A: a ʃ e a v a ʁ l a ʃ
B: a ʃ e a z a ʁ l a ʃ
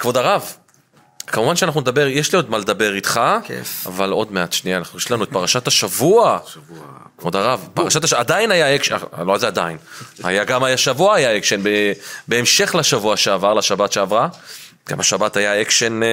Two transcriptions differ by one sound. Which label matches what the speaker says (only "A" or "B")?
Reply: A